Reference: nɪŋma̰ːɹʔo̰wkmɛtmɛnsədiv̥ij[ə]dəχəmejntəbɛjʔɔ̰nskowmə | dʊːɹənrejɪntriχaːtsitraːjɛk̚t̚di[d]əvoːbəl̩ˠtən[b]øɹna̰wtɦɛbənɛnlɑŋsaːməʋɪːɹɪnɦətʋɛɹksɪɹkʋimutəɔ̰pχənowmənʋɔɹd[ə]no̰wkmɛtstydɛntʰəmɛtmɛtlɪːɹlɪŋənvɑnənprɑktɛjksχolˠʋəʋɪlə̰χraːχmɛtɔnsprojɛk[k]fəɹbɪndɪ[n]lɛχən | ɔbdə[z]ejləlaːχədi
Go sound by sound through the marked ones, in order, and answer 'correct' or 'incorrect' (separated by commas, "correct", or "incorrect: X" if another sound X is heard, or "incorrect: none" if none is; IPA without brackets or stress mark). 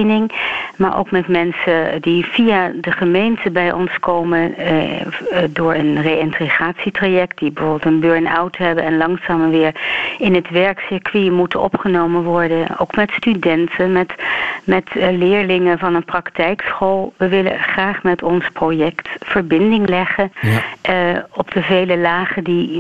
incorrect: a, incorrect: b, correct, correct, incorrect: t, incorrect: ŋ, incorrect: v